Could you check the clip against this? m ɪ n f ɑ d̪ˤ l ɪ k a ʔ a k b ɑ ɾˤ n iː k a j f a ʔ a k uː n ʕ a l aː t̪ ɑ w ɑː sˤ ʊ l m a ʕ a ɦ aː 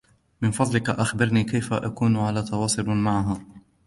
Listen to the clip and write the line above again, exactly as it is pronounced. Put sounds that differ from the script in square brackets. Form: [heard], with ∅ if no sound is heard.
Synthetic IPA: m ɪ n f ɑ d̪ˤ l ɪ k a ʔ a [x] b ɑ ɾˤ n iː k a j f a ʔ a k uː n ʕ a l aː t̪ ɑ w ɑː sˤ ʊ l m a ʕ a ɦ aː